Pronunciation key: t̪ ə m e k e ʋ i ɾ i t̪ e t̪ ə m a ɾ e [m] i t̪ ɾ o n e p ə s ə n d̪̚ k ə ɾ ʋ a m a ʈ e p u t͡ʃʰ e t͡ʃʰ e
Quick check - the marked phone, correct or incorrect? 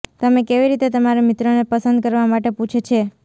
correct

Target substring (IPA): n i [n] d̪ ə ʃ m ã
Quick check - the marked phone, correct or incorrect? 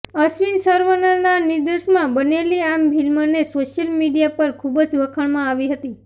incorrect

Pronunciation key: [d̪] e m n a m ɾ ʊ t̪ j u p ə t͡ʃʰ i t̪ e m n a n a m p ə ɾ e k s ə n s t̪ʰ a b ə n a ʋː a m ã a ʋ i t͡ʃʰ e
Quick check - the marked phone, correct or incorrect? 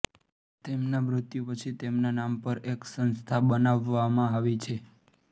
incorrect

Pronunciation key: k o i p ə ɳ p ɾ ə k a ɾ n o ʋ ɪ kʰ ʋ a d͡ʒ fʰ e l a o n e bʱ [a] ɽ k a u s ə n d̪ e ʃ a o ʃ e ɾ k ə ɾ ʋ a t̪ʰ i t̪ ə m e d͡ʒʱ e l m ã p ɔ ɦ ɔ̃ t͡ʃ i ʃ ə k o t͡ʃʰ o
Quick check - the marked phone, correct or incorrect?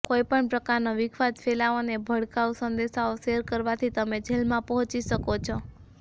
incorrect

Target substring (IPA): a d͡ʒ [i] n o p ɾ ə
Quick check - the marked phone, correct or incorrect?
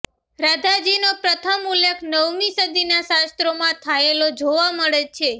correct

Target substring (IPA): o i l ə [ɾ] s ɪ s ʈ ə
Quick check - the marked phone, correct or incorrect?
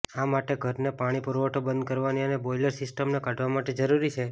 correct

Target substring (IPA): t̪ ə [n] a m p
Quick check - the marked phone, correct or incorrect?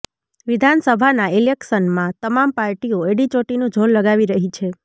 incorrect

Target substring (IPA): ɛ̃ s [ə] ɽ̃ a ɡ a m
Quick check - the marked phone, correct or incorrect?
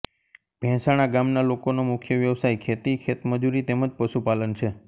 incorrect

